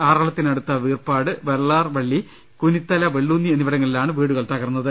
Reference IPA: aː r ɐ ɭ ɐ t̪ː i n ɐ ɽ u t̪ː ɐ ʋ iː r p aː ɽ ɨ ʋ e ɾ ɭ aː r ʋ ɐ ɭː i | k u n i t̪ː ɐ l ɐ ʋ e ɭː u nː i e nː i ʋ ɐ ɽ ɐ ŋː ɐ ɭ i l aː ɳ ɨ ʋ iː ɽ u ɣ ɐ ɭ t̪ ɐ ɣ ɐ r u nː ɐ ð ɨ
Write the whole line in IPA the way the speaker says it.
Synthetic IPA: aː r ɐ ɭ ɐ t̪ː i n ɐ ɽ u t̪ː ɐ ʋ iː r p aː ɽ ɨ ʋ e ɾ ɭ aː r ʋ ɐ ɭː i | k u n i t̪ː ɐ l ɐ ʋ e ɭː u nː i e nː i ʋ ɐ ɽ ɐ ŋː ɐ ɭ i l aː ɳ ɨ ʋ iː ɽ u ɣ ɐ ɭ t̪ ɐ ɣ ɐ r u nː ɐ ð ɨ